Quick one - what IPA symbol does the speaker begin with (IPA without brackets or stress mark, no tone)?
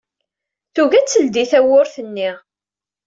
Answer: θ